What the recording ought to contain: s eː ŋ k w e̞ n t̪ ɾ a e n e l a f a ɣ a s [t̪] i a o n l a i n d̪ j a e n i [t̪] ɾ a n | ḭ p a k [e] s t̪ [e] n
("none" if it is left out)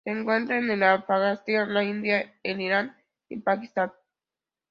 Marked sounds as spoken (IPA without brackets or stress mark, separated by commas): t̪, none, i, a